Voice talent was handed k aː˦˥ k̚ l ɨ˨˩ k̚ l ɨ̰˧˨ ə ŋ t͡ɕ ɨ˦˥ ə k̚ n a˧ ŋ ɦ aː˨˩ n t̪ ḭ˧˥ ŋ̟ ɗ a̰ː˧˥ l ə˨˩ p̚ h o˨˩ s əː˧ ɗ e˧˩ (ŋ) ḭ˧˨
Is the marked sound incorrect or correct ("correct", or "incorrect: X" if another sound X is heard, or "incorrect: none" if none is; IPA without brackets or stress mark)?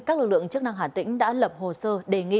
correct